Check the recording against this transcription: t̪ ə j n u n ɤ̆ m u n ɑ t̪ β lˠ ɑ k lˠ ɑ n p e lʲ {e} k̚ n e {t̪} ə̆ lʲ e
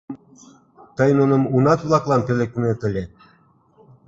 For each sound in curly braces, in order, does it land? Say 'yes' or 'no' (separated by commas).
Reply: yes, yes